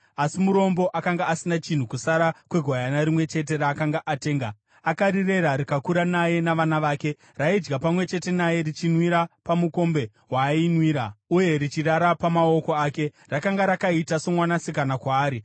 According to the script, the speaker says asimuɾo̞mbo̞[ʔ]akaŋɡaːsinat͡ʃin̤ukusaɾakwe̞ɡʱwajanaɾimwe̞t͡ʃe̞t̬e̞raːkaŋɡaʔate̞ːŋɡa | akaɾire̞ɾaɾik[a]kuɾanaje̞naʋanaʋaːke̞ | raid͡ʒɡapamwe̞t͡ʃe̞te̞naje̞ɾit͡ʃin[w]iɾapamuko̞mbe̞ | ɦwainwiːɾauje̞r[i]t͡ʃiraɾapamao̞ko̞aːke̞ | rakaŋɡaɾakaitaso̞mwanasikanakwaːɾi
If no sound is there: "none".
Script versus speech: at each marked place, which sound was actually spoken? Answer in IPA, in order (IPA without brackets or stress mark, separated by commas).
ʔ, a, w, i